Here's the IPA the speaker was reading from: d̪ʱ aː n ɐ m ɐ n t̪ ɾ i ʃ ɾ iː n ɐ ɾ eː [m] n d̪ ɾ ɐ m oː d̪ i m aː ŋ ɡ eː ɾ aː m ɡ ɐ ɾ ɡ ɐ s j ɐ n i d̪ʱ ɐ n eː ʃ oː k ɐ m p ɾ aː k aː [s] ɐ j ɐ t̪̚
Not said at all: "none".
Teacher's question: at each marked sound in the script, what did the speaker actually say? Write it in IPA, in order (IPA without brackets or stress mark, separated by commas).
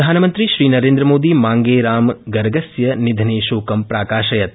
none, ʃ